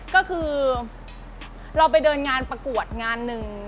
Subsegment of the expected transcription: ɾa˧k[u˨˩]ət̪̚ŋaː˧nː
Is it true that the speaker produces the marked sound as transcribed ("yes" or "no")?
yes